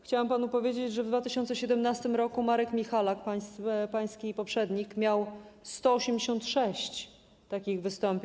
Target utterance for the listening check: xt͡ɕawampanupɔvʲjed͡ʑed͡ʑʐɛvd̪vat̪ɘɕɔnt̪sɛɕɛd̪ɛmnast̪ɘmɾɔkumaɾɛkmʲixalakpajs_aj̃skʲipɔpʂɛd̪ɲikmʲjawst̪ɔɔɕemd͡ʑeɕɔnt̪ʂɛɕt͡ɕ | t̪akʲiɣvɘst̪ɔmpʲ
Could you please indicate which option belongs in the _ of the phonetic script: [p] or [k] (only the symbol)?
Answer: p